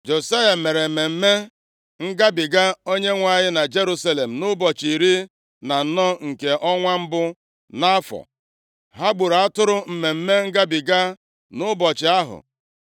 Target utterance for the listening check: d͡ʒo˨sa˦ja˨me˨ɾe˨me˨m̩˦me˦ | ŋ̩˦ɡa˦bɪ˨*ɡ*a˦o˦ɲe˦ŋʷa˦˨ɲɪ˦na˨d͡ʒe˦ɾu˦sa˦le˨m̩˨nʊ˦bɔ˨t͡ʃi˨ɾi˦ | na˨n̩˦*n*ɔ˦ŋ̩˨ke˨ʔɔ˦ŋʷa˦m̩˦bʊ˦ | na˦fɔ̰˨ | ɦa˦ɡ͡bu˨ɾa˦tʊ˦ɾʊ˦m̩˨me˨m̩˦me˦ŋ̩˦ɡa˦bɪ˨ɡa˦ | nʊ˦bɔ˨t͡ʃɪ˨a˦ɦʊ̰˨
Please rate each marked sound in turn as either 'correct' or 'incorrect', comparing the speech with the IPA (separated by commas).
correct, correct